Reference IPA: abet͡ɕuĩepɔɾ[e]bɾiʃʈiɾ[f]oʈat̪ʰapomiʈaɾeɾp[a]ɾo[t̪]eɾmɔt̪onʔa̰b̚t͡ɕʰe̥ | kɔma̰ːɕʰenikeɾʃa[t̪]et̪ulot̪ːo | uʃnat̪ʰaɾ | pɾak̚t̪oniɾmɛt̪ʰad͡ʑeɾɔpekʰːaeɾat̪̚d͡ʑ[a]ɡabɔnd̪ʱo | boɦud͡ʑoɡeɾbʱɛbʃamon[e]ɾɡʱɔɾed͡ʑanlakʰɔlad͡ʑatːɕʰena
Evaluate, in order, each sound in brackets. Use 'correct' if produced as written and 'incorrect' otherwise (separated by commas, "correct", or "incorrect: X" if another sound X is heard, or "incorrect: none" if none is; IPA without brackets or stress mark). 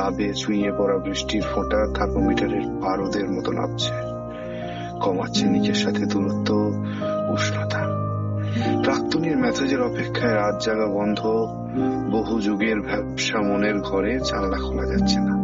incorrect: a, correct, correct, incorrect: d̪, incorrect: t̪ʰ, correct, correct